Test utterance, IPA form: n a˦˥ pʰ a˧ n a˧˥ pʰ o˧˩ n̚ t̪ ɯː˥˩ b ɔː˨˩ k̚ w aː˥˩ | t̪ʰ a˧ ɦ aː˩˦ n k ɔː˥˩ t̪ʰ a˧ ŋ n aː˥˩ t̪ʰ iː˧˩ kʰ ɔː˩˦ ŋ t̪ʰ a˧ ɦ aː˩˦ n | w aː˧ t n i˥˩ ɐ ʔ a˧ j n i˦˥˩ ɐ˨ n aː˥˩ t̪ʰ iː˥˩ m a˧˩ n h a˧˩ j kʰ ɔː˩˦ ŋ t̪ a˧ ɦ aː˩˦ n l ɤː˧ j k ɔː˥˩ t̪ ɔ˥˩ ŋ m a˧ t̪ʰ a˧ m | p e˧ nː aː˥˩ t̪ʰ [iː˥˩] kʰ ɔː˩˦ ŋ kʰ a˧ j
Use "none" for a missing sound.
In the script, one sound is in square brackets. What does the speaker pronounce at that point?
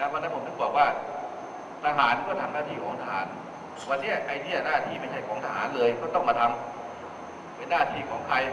iː˧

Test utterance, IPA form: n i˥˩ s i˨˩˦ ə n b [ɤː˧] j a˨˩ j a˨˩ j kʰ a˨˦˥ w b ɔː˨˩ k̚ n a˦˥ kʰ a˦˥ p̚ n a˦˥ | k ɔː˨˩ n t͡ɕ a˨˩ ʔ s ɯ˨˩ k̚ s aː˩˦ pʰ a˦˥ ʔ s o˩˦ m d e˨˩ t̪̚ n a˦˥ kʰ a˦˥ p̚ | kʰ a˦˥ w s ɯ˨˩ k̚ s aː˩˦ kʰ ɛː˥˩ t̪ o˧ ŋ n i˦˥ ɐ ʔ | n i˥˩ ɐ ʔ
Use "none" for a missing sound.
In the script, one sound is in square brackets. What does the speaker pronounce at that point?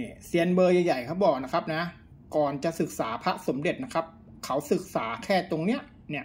ɤː˧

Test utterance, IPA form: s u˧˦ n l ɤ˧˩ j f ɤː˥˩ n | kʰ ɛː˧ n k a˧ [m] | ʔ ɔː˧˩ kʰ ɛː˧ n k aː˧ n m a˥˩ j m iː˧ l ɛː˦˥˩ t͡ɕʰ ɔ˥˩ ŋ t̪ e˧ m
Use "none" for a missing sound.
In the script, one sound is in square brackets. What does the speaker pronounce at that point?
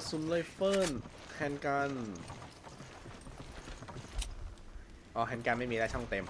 n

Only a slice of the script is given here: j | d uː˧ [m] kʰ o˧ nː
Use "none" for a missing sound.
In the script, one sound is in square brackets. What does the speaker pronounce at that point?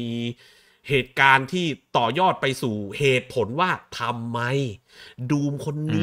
m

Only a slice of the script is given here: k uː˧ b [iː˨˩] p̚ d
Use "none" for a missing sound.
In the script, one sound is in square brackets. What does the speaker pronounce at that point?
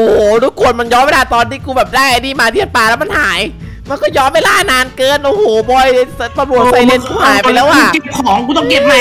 ɛː˨˩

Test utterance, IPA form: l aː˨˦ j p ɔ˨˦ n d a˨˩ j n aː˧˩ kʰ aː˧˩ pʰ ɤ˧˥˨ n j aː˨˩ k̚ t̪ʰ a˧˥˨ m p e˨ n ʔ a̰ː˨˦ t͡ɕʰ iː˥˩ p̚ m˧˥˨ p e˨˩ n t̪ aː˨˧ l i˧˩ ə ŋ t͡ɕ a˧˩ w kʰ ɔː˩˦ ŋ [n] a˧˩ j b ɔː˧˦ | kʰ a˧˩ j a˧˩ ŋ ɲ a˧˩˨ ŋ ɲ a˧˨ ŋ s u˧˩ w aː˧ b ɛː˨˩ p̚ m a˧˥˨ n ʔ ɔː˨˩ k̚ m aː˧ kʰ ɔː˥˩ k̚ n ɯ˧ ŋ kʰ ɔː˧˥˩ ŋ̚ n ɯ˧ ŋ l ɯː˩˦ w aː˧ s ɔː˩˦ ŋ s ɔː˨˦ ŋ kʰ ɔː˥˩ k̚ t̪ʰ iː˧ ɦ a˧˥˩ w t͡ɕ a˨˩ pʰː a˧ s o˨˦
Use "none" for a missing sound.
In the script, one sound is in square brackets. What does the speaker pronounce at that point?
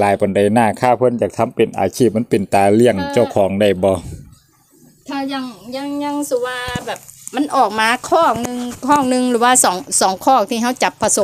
d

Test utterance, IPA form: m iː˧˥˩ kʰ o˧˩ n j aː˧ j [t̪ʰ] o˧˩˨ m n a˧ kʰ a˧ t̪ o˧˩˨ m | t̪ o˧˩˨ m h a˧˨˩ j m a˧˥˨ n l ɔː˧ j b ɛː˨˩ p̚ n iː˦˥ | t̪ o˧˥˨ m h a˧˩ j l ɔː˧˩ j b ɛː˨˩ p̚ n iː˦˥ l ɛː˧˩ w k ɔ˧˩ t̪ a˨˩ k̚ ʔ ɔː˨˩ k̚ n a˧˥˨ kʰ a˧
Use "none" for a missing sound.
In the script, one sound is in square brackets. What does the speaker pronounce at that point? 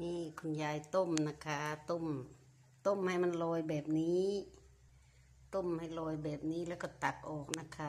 t̪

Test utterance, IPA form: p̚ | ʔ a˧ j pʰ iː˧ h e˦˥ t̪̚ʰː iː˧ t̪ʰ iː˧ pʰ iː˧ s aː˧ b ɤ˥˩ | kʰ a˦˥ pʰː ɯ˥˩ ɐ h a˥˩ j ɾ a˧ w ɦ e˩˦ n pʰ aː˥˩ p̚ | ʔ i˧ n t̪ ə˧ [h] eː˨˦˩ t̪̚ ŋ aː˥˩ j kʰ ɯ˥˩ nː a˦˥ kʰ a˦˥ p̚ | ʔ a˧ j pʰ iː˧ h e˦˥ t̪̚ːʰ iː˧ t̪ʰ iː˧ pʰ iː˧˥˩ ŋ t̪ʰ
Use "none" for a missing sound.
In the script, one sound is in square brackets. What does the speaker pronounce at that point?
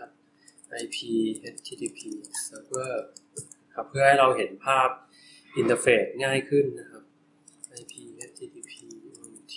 f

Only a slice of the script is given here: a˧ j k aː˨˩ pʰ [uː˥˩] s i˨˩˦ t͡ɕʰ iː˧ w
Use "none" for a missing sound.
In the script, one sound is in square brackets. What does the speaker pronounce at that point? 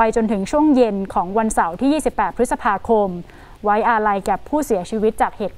uː˥˩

